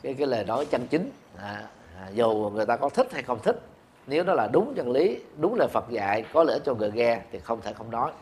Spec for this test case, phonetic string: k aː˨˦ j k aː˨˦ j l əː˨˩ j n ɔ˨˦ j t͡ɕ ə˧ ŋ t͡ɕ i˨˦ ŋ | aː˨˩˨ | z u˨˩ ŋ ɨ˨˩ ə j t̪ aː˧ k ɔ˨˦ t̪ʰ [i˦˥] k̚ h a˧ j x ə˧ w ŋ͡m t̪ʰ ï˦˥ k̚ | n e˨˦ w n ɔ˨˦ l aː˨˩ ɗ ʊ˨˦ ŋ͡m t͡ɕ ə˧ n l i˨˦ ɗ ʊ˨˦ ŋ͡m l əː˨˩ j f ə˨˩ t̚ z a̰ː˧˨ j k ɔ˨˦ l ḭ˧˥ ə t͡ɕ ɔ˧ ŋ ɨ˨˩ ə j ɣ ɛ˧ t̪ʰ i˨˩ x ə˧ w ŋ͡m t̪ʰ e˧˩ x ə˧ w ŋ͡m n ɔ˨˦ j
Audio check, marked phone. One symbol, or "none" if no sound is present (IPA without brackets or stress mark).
i˦˥